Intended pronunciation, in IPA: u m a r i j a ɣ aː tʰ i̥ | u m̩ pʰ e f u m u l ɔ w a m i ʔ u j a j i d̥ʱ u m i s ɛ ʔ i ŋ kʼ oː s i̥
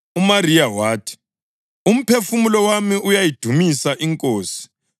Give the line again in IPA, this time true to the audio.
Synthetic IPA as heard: u m a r i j a w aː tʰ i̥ | u m̩ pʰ e f u m u l ɔ w a m i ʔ u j a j i d̥ʱ u m i s a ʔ i ŋ kʼ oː s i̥